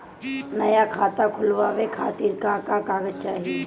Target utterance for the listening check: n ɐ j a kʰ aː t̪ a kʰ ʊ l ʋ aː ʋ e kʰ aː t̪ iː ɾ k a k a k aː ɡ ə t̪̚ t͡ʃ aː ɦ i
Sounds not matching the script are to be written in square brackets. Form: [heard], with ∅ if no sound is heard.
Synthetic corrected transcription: n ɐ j a kʰ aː t̪ a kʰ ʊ l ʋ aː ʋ e kʰ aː t̪ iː ɾ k a k a k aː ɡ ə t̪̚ t͡ʃ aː ɦ i